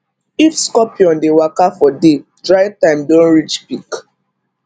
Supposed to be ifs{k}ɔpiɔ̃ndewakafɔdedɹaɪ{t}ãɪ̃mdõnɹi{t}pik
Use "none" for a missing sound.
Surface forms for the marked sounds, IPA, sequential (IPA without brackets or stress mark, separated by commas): k, t, t͡ʃ